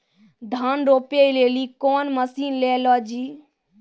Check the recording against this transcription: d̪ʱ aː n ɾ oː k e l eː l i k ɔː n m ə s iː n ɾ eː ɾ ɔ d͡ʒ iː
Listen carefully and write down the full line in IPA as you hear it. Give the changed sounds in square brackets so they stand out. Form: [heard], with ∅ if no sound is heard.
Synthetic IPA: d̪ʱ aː n ɾ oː [p] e l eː l i k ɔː n m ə s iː n [l] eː [l] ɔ d͡ʒ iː